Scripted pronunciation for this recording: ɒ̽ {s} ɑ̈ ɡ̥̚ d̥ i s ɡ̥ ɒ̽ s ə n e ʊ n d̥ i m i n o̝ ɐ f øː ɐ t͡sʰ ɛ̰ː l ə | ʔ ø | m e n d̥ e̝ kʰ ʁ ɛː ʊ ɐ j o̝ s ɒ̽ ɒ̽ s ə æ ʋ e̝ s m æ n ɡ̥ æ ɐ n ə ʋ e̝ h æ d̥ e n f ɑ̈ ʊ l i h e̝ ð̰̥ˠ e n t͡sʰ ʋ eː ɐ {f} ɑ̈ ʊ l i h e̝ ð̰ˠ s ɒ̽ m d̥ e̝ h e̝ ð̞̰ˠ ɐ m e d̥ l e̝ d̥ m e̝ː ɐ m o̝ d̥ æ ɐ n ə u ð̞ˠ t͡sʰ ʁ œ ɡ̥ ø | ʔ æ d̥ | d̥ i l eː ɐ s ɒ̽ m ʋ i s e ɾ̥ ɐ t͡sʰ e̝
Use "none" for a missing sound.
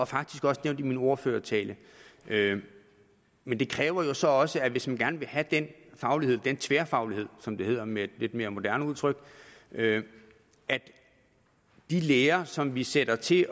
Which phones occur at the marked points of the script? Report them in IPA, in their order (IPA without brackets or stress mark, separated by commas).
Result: f, f